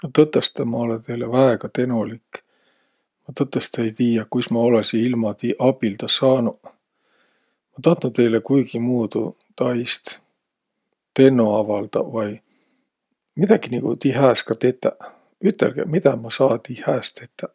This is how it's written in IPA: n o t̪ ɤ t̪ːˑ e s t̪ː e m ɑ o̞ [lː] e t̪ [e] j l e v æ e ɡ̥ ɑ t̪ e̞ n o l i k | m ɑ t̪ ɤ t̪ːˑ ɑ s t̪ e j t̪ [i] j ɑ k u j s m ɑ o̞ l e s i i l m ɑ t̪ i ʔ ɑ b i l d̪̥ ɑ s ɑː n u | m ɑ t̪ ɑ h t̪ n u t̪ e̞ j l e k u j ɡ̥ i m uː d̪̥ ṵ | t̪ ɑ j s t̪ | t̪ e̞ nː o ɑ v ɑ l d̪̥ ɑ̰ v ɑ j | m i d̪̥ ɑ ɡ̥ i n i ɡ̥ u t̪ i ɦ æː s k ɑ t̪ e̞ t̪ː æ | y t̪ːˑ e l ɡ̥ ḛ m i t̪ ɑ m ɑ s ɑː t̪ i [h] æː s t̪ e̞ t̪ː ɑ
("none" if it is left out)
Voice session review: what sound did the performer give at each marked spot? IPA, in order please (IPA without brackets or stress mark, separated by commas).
l, e, iː, h